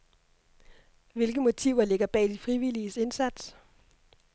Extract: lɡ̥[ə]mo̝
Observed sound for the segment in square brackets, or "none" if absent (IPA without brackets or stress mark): ə